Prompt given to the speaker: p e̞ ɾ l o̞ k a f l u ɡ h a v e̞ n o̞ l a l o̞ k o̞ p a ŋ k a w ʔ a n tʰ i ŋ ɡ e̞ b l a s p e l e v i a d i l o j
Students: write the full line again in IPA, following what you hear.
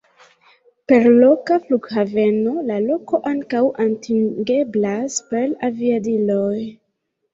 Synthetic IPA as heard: p e̞ ɾ l o̞ k a f l u ɡ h a v e̞ n o̞ l a l o̞ k o̞ ʔ a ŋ k a w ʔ a n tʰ i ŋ ɡ e̞ b l a s p e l a v i a d i l o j